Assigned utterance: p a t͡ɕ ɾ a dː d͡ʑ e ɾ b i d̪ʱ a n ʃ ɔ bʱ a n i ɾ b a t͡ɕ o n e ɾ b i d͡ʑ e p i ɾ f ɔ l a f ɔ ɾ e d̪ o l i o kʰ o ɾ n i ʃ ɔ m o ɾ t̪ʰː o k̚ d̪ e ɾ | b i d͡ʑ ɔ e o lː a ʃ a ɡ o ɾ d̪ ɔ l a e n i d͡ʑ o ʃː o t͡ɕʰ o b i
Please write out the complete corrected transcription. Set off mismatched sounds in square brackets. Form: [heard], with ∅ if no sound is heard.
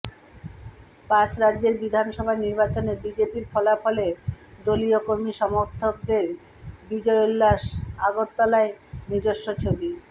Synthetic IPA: p a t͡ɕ ɾ a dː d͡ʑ e ɾ b i d̪ʱ a n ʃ ɔ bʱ a n i ɾ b a t͡ɕ o n e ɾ b i d͡ʑ e p i ɾ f ɔ l a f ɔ [l] e d̪ o l i o [k] o ɾ [m] i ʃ ɔ m o ɾ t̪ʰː o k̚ d̪ e ɾ | b i d͡ʑ ɔ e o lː a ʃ a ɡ o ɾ [t̪] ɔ l a e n i d͡ʑ o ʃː o t͡ɕʰ o b i